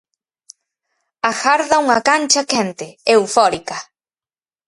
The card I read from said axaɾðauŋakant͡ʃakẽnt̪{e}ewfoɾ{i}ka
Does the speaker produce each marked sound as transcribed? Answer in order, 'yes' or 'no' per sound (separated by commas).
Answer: yes, yes